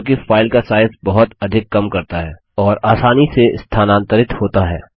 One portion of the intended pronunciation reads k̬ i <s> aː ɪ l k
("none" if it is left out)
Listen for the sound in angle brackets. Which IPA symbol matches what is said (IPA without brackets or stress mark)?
f